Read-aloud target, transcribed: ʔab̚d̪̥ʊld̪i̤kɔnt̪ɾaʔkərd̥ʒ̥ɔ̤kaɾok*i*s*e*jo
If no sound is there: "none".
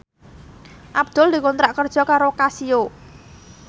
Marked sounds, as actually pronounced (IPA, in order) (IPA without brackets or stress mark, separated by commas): a, i